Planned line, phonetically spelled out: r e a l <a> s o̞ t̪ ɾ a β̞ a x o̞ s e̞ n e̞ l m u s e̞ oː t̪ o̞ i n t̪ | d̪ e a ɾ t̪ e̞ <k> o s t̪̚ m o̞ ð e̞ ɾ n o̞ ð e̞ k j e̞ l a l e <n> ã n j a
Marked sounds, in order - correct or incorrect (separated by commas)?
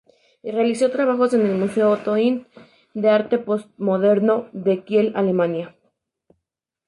incorrect, incorrect, incorrect